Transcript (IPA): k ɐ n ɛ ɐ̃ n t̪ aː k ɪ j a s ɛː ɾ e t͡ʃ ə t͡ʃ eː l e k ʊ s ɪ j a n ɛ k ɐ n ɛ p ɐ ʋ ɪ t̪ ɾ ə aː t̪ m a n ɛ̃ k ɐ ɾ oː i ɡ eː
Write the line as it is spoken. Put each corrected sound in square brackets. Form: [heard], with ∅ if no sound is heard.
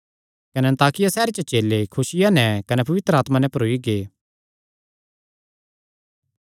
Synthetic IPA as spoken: k ɐ n ɛ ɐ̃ n t̪ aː k ɪ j a s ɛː ɾ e t͡ʃ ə t͡ʃ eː l e [kʰ] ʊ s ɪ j a n ɛ k ɐ n ɛ p ɐ ʋ ɪ t̪ ɾ ə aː t̪ m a n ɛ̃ [p] ɐ ɾ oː i ɡ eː